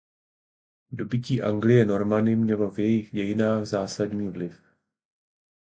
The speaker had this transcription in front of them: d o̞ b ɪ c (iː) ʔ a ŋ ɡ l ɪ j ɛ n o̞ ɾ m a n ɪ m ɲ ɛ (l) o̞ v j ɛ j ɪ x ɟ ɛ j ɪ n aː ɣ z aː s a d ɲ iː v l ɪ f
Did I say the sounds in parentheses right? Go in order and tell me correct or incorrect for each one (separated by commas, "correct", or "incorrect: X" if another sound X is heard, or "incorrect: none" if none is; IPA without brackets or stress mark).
correct, correct